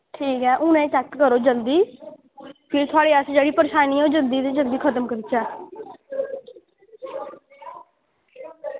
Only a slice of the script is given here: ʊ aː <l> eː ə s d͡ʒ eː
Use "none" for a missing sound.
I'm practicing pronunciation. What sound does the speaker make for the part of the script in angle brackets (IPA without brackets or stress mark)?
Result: ɽ